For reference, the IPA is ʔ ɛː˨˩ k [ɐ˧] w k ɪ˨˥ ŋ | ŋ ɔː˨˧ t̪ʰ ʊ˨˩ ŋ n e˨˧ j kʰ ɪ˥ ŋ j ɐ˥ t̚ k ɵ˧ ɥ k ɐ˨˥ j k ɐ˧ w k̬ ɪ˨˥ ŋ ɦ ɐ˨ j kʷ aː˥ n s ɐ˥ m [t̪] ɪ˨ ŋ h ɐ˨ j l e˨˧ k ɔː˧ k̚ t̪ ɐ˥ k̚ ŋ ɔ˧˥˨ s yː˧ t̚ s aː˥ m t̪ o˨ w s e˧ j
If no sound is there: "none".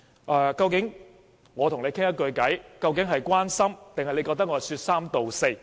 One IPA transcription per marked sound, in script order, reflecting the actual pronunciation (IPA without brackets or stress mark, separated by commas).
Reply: ɐ˧, t̪